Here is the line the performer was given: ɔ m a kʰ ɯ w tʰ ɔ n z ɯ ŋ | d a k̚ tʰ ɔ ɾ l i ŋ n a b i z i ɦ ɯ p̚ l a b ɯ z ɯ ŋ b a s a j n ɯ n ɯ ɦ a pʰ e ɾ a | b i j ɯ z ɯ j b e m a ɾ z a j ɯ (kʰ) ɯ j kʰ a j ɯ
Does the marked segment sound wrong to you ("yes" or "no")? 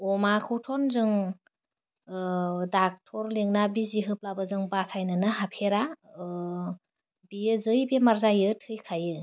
yes